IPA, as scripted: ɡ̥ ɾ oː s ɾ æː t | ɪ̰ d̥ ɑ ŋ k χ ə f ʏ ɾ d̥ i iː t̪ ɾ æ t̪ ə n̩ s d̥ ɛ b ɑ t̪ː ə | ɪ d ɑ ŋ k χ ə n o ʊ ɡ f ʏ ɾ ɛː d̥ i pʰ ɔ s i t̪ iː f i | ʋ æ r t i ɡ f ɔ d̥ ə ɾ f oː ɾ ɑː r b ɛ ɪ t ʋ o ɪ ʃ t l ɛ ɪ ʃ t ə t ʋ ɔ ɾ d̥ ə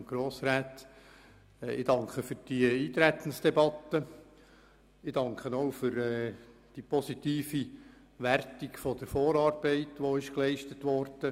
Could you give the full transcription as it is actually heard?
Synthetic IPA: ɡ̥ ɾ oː s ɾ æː t | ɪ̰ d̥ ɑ ŋ k χ ə f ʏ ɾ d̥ i iː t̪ ɾ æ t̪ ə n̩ s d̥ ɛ b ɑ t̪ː ə | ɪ d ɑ ŋ k χ ə n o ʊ f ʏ ɾ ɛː d̥ i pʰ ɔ s i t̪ iː f i | ʋ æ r t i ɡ f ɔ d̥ ə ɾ f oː ɾ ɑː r b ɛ ɪ t ʋ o ɪ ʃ k l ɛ ɪ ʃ t ə t ʋ ɔ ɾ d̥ ə